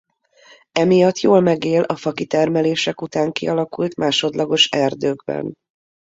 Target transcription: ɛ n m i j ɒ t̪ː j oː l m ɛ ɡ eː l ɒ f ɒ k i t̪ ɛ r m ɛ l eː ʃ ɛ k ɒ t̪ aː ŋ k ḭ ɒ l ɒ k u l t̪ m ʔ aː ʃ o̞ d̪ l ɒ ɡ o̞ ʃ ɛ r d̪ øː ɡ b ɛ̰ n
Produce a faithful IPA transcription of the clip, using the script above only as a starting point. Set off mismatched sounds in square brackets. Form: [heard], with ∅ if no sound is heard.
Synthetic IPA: ɛ [∅] m i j ɒ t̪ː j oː l m ɛ ɡ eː l ɒ f ɒ k i t̪ ɛ r m ɛ l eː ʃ ɛ k [u] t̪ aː ŋ k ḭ ɒ l ɒ k u l t̪ m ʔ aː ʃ o̞ d̪ l ɒ ɡ o̞ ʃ ɛ r d̪ øː ɡ b ɛ̰ n